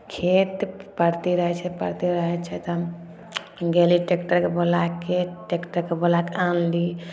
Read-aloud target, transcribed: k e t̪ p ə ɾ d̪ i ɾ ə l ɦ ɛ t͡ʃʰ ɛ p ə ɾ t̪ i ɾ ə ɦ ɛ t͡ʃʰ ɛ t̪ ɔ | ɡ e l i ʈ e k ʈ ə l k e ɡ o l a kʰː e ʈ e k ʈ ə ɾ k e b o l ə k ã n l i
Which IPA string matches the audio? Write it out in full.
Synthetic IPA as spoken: kʰ e t̪ p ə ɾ t̪ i ɾ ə ɦ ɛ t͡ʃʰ ɛ p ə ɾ t̪ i ɾ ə ɦ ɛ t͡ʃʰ ɛ t̪ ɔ | ɡ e l i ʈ e k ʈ ə ɾ k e b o l a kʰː e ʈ e k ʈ ə ɾ k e b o l a k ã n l i